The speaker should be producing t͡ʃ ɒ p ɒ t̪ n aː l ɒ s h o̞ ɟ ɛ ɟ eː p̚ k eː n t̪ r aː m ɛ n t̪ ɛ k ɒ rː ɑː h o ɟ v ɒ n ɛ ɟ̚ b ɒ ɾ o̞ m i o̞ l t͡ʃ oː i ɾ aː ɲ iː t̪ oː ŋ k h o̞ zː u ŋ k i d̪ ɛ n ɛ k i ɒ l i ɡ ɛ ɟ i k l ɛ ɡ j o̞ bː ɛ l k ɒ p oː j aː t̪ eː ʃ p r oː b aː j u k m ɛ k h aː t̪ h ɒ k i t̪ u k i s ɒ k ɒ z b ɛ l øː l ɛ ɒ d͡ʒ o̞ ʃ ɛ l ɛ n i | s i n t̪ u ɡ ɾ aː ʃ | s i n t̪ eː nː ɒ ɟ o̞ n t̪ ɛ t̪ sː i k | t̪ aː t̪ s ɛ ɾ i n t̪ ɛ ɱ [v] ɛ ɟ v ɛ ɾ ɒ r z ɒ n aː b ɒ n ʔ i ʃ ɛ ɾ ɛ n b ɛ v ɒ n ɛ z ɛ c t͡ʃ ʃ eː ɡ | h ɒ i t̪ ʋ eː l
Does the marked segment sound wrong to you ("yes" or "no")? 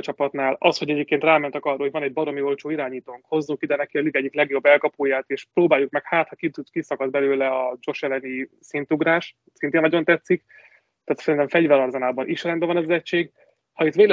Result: yes